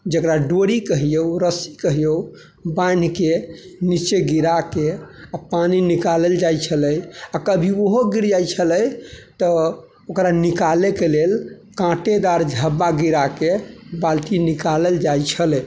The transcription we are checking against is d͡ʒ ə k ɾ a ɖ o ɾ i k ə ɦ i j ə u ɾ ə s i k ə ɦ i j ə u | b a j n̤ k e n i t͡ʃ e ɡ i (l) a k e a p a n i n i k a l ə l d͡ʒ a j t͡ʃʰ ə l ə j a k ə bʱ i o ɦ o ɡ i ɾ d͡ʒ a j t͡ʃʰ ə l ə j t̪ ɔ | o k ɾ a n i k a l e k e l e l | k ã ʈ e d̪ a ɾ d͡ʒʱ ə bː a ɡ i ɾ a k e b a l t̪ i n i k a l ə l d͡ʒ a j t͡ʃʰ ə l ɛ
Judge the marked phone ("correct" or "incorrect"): incorrect